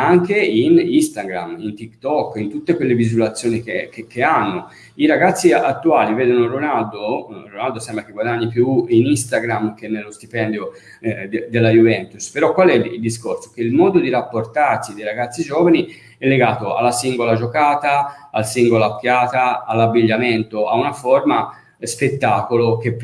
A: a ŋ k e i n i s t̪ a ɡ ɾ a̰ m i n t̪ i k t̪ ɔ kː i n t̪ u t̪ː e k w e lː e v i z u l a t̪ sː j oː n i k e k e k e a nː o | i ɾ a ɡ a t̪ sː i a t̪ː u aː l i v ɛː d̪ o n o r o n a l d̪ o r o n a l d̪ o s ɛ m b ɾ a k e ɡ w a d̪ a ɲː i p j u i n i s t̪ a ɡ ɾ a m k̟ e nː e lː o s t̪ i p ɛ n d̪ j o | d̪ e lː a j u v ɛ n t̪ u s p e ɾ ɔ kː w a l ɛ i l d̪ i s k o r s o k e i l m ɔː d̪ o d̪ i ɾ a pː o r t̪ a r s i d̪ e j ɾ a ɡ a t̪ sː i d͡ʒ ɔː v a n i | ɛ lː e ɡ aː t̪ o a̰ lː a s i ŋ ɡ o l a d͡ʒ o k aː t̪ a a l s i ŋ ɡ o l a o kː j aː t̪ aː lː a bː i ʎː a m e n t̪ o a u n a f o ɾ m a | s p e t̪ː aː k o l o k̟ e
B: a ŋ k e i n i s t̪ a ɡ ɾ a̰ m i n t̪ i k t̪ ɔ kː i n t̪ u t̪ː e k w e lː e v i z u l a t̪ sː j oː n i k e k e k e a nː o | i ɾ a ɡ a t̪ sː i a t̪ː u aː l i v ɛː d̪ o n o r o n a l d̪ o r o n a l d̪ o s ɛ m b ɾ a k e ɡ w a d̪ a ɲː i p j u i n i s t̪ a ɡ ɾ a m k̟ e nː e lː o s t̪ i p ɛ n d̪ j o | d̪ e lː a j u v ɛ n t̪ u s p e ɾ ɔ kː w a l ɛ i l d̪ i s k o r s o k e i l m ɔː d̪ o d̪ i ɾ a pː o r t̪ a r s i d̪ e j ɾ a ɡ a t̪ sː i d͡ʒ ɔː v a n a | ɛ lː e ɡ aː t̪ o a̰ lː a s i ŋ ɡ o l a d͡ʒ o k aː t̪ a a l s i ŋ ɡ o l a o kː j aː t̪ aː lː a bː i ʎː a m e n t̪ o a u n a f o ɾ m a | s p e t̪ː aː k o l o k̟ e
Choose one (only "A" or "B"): A